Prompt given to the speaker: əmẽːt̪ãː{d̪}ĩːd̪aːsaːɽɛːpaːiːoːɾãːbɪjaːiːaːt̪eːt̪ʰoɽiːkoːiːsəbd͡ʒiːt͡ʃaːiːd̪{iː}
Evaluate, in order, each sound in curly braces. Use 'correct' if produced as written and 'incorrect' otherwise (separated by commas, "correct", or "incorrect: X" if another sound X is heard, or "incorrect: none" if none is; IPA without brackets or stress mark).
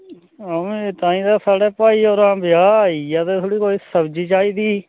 incorrect: none, correct